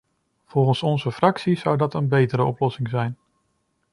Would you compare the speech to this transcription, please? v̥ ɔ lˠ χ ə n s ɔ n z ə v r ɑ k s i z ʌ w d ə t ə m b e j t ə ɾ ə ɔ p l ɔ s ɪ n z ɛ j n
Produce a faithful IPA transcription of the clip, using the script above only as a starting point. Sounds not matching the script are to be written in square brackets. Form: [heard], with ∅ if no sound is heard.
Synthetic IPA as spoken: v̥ ɔ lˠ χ ə n s ɔ n z ə [f] r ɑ k s i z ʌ w d [ɑ] t ə [n] b e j t ə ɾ ə ɔ p l ɔ s ɪ [ŋ] z ɛ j n